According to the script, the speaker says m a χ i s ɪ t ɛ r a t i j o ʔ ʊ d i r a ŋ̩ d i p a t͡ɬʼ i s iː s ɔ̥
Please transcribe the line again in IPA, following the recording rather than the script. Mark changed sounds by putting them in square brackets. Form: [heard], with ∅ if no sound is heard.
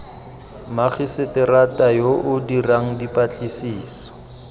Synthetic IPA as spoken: m a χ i s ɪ t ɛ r a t [a] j o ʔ ʊ d i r a ŋ̩ d i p a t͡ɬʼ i s iː s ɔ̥